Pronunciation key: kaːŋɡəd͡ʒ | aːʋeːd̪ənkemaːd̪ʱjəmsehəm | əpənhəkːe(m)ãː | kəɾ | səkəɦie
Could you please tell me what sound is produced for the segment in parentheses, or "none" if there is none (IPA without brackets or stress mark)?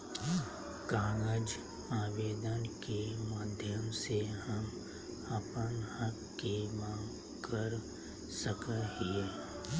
m